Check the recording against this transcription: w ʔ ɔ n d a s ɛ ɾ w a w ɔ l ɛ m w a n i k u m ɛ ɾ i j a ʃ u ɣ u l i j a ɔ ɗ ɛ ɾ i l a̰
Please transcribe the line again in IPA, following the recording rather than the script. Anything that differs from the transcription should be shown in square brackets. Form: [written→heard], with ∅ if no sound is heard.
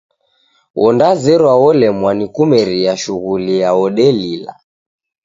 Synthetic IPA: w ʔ ɔ n d a [s→z] ɛ ɾ w a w ɔ l ɛ m w a n i k u m ɛ ɾ i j a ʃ u ɣ u l i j a ɔ ɗ ɛ [ɾ→l] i l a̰